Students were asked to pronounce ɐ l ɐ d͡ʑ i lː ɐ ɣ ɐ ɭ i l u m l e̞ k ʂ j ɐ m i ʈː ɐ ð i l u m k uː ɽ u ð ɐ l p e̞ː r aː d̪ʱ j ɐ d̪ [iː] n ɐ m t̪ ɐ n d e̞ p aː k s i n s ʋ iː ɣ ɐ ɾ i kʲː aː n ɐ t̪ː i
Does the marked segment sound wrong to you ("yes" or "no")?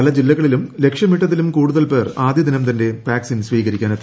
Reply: yes